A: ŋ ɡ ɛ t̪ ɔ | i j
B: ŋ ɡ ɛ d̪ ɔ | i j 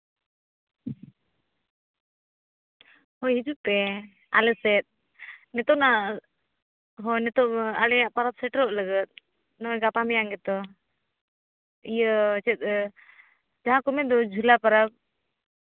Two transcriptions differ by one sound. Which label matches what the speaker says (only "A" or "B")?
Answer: A